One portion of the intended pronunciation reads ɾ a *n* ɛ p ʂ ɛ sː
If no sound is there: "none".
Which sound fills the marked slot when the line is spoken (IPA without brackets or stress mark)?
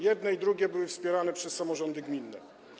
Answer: n